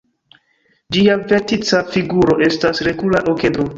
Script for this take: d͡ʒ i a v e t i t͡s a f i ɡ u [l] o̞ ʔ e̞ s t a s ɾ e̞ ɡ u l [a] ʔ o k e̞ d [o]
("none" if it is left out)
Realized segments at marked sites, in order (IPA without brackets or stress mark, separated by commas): ɾ, a, o